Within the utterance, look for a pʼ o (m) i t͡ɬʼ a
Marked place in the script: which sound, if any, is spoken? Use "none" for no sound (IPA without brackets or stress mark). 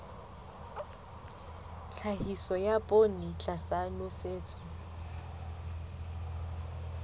n